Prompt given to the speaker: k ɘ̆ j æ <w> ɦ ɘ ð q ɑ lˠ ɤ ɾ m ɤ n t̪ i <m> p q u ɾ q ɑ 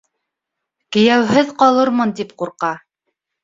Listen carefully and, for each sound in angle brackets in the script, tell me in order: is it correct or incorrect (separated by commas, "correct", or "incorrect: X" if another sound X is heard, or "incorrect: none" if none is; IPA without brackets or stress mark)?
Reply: correct, incorrect: none